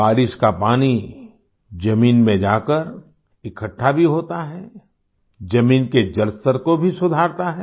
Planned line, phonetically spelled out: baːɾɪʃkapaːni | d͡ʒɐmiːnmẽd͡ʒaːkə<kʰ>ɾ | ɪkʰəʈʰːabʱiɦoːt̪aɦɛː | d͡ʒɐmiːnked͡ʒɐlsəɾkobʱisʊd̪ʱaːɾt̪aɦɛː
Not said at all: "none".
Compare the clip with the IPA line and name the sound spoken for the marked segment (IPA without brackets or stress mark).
none